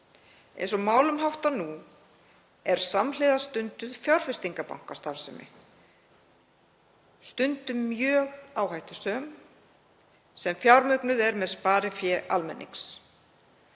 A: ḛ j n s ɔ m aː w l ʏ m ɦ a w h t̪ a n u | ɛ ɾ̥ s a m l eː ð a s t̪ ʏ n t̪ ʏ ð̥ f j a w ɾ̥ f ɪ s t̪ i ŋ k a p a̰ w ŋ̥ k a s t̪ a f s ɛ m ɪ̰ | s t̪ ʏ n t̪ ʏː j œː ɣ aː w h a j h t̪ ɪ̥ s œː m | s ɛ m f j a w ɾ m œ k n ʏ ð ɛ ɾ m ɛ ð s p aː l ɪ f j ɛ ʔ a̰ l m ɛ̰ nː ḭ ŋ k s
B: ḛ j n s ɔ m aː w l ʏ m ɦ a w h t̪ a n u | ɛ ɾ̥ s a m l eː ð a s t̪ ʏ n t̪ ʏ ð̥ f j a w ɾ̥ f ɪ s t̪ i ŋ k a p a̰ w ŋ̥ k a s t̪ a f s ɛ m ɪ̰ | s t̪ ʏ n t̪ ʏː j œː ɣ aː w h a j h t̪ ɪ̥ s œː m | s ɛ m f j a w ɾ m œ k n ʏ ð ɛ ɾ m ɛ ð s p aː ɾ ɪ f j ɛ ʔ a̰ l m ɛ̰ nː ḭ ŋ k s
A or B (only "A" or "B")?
B